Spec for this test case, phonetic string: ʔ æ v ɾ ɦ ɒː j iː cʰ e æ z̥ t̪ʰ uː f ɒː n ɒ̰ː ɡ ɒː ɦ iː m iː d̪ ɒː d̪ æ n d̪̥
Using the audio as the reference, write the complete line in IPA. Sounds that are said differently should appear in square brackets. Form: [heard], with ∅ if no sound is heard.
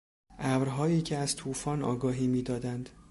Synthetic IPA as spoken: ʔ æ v ɾ ɦ ɒː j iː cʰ e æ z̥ t̪ʰ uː f ɒː n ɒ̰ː ɡ ɒː ɦ iː m iː d̪ ɒː d̪ æ n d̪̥

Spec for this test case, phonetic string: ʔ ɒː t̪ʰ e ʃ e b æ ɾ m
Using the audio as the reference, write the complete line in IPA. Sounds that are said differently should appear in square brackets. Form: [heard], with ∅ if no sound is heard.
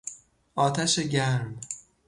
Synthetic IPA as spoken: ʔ ɒː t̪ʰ [æ] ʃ e [ɟ] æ ɾ m

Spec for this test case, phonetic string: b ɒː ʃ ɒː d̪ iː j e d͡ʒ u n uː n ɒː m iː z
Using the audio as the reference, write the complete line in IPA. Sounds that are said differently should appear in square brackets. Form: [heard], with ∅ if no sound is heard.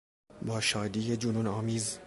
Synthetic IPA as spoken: b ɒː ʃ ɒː d̪ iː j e d͡ʒ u n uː n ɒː m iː z

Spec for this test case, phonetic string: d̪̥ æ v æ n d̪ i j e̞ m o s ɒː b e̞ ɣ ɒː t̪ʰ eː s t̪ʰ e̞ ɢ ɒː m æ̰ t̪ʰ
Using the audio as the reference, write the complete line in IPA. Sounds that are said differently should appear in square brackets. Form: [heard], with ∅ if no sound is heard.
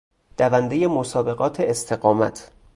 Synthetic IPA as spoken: d̪̥ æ v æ n d̪ [e] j e̞ m o s ɒː b e̞ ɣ ɒː t̪ʰ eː s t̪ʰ e̞ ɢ ɒː m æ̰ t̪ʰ

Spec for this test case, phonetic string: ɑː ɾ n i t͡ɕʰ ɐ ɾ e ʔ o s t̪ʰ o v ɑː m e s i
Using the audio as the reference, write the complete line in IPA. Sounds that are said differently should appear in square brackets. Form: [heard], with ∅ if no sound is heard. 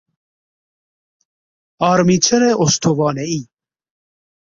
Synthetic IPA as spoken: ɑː ɾ [m] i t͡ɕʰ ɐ ɾ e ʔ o s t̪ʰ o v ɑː [n] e [∅] i

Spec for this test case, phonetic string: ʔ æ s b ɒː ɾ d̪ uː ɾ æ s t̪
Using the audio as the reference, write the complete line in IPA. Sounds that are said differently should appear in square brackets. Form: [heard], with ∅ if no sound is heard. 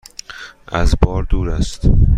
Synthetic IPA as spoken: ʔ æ [z] b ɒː ɾ d̪ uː ɾ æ s t̪

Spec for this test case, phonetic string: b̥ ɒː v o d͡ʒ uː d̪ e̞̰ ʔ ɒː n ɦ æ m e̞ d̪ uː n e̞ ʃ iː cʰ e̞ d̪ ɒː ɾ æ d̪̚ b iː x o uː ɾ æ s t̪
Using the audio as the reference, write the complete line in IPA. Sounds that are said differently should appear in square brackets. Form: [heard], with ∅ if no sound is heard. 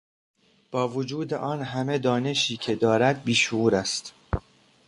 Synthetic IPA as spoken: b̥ ɒː v o d͡ʒ uː d̪ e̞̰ ʔ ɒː n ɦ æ m e̞ d̪ [ɒː] n e̞ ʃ iː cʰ e̞ d̪ ɒː ɾ æ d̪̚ b iː [ʃ] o uː ɾ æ s t̪

